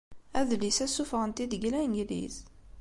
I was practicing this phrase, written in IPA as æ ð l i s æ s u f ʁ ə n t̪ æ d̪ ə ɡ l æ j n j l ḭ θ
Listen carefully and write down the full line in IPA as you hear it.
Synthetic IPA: æ ð l i s æ s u f ʁ ə n t̪ i d̪ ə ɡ l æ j n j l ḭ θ